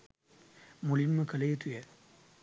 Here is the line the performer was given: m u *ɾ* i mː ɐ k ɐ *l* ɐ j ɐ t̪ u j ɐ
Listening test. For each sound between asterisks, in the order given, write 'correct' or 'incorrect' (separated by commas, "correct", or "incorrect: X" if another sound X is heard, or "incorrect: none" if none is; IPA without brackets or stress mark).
incorrect: l, correct